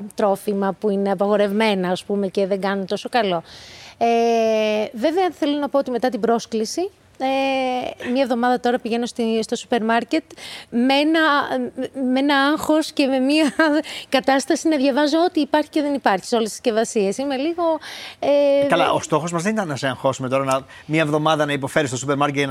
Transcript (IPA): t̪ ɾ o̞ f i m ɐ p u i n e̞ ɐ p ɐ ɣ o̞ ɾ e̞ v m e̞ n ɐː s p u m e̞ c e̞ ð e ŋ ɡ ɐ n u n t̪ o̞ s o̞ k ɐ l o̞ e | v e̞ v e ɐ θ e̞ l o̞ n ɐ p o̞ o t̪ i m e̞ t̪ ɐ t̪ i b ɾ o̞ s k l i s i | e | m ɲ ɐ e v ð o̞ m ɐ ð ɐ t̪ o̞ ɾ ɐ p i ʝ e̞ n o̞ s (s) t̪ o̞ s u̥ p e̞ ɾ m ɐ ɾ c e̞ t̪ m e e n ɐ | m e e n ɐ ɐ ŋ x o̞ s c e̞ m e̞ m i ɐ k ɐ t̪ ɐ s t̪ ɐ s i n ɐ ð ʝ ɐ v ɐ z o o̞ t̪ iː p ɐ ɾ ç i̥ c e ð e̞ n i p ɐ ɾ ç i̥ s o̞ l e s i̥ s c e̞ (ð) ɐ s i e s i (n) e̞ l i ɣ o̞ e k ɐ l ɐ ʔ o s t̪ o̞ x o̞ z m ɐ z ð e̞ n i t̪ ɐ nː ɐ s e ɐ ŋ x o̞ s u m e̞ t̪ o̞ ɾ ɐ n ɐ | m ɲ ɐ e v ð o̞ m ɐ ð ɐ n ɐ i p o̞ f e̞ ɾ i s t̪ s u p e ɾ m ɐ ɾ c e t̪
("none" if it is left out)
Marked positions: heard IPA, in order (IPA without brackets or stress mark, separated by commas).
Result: s, v, m